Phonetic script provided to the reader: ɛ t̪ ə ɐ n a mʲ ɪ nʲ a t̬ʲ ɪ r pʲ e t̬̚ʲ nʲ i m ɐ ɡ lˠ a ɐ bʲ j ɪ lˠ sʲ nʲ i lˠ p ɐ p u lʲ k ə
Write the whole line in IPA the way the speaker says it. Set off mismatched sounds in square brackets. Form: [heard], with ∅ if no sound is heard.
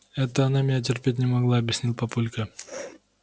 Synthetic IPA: ɛ t̪ ə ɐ n a mʲ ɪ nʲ a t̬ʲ ɪ r pʲ e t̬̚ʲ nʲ [ɪ] m ɐ ɡ lˠ a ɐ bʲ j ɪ [∅] sʲ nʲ i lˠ p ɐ p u lʲ k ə